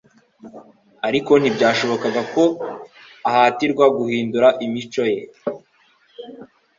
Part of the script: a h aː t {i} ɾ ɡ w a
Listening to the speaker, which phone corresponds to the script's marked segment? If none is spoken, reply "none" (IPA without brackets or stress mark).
i